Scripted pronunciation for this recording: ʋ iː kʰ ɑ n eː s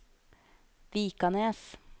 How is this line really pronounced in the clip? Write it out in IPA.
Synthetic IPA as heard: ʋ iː k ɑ n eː s